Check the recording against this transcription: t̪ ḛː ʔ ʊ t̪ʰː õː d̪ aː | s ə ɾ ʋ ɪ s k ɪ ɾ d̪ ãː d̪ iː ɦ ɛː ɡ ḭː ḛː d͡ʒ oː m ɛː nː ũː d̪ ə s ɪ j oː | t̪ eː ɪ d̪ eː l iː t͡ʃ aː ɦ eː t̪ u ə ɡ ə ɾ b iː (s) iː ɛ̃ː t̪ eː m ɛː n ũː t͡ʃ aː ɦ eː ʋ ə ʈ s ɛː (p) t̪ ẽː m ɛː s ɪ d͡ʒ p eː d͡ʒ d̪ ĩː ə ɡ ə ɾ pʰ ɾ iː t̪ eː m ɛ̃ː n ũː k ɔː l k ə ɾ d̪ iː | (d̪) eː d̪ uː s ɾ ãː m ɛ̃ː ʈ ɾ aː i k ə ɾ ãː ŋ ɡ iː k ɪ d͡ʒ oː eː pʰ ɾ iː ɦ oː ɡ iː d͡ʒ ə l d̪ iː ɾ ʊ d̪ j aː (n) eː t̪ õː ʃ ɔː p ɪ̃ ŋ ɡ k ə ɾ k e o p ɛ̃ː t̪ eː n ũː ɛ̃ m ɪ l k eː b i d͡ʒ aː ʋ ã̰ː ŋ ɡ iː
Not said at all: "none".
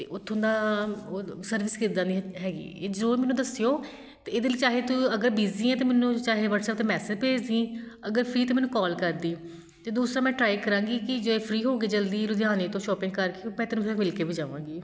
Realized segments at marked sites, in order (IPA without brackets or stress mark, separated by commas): z, p, t̪, n